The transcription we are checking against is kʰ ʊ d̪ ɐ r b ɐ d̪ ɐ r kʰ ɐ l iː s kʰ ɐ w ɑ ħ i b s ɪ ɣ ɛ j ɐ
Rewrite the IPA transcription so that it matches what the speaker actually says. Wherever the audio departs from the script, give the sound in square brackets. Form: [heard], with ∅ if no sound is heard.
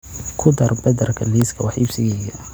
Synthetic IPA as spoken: kʰ ʊ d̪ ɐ r b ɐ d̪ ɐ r kʰ ɐ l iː s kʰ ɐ w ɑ ħ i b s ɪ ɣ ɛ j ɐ